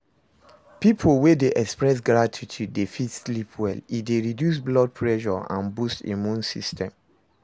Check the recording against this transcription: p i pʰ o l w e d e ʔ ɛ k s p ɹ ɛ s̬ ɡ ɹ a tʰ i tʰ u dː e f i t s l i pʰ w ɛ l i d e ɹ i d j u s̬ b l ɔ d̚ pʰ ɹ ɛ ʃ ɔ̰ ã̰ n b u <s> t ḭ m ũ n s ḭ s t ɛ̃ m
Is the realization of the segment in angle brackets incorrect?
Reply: no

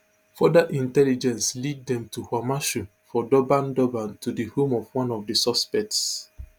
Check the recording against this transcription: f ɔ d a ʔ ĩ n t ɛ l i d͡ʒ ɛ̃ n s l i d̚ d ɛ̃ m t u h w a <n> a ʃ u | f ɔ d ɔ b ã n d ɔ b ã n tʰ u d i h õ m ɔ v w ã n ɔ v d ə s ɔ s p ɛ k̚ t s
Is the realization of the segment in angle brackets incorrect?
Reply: yes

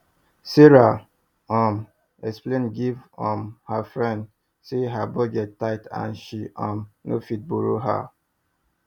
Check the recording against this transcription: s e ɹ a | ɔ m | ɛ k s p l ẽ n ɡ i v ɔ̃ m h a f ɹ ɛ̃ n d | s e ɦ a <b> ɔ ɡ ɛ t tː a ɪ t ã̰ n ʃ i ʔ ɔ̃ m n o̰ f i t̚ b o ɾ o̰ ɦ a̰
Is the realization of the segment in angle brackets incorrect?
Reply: no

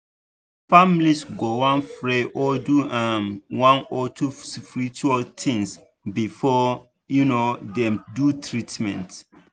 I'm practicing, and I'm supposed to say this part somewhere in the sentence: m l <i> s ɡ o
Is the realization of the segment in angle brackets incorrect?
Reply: no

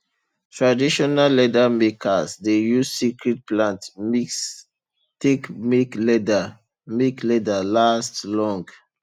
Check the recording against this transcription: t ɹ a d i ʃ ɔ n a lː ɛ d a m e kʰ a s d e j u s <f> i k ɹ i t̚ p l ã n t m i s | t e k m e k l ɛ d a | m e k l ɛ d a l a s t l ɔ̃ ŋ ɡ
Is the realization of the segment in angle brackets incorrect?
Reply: yes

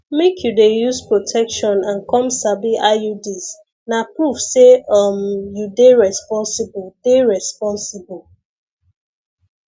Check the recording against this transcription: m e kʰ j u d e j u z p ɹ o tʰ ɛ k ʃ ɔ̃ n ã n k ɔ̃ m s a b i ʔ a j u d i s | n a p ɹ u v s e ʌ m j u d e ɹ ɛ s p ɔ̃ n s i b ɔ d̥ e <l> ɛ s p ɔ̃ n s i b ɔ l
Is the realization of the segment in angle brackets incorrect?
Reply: yes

